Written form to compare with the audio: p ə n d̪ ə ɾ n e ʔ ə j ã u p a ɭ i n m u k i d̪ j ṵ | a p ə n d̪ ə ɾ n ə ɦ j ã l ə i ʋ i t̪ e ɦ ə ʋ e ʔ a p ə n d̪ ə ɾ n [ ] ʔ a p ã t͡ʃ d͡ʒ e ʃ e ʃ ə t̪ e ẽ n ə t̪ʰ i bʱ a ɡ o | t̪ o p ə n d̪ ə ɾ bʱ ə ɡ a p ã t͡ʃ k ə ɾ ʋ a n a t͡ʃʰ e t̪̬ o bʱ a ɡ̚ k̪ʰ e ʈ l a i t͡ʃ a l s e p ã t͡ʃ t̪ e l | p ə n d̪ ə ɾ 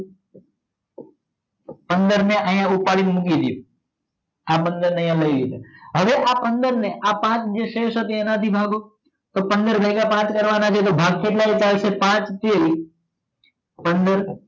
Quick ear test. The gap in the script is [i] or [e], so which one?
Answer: e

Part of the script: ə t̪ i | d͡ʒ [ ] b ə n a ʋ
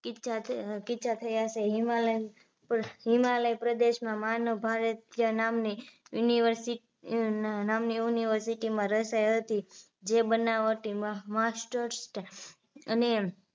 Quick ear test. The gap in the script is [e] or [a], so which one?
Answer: e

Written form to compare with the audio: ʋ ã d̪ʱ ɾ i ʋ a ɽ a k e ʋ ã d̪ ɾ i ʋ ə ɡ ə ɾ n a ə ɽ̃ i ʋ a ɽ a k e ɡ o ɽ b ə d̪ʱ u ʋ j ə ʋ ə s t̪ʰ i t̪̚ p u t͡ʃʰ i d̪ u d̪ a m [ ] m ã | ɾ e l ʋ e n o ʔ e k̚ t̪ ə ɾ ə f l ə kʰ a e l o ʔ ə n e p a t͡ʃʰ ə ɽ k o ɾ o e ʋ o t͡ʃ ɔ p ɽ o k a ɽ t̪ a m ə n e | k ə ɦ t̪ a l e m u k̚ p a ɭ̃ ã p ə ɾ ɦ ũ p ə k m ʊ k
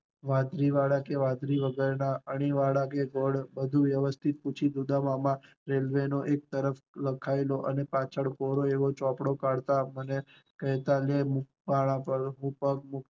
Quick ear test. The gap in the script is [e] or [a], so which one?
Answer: a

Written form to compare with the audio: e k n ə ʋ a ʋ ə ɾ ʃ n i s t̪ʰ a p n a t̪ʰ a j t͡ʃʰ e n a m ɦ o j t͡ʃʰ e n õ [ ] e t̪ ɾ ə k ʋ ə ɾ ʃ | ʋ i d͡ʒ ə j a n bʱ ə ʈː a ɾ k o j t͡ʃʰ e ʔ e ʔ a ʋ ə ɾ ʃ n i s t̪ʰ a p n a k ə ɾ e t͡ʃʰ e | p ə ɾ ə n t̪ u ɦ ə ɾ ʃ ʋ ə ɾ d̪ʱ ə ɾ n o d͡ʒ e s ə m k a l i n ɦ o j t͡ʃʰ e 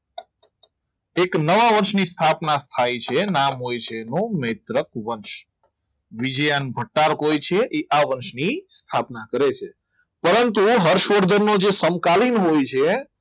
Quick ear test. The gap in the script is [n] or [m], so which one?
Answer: m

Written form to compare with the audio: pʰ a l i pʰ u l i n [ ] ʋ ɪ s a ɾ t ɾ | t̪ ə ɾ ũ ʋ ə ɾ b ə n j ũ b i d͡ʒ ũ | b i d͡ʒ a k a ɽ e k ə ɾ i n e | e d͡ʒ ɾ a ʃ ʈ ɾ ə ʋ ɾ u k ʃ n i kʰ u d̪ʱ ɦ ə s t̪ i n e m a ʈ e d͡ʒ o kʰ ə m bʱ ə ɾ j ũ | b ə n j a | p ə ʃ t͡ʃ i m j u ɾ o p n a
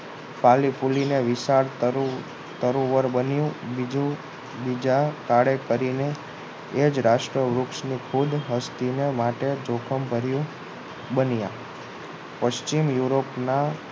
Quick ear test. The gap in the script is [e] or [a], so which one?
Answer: e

